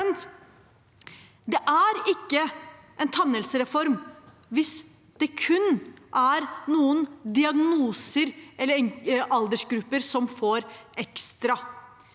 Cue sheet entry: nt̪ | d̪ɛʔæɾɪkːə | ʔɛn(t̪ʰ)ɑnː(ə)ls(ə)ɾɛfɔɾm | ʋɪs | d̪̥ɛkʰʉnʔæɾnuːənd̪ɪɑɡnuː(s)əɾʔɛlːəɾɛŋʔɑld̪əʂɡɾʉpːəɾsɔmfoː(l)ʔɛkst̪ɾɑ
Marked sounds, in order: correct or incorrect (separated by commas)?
correct, correct, correct, correct, incorrect